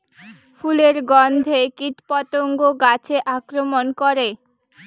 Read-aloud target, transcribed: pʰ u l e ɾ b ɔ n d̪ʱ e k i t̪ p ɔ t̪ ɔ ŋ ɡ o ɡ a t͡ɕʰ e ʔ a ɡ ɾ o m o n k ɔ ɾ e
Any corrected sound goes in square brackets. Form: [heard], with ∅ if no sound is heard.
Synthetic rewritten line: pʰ u l e ɾ [ɡ] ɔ n d̪ʱ e k i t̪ p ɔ t̪ [o] ŋ ɡ o ɡ a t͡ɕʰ e ʔ a [k] ɾ o m o n k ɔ ɾ e